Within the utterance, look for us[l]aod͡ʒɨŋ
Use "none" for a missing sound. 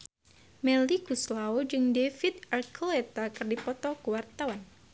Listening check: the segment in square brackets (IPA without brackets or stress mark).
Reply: l